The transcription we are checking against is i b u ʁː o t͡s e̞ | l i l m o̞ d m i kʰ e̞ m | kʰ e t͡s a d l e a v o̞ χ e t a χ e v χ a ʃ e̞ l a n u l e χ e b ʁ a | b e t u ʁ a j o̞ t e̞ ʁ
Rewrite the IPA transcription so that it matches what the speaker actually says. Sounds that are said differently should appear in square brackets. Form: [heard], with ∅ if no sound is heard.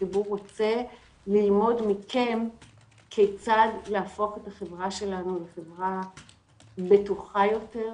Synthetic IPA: i b u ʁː o t͡s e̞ | l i l m o̞ d m i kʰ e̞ m | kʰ e t͡s a d l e a [f] o̞ χ e t a χ e v [ʁ] a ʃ e̞ l a n u l e χ e [v] ʁ a | b e t u [χ] a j o̞ t e̞ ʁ

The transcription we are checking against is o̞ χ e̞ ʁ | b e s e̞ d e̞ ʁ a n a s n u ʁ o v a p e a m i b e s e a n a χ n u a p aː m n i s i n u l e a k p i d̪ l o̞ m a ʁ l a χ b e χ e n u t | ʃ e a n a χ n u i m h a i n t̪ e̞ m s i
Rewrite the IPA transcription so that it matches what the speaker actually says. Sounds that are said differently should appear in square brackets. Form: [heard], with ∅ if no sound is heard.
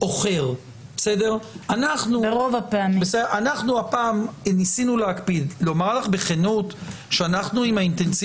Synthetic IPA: o̞ χ e̞ ʁ | b e s e̞ d e̞ ʁ a n a [χ] n u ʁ o v a p e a m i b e s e a n a χ n u a p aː m n i s i n u l e a k p i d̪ l o̞ m a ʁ l a χ b e χ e n u t | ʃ e a n a χ n u i m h a i n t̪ e̞ [n] s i

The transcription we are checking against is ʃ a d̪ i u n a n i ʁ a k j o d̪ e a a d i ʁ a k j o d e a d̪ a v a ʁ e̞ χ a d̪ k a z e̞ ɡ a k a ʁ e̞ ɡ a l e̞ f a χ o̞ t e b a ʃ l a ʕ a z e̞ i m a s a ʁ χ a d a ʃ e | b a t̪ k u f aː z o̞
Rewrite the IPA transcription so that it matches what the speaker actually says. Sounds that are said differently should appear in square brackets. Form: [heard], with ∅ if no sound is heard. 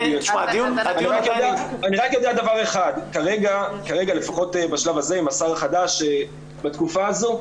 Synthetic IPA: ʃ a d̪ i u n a n i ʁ a k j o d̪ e a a [n] i ʁ a k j o d e a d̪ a v a ʁ e̞ χ a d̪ k a [ʁ] e̞ ɡ a k a ʁ e̞ ɡ a l e̞ f a χ o̞ t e b a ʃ l a [v] a z e̞ i m a s a ʁ χ a d a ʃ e | b a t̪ k u f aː z o̞

